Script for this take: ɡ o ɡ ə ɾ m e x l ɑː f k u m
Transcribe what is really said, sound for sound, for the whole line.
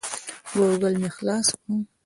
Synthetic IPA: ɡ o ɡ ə l m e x l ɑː s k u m